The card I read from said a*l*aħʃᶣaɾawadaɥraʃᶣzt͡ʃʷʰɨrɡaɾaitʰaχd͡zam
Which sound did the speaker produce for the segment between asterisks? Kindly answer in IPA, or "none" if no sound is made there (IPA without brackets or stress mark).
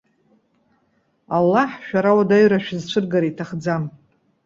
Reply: lː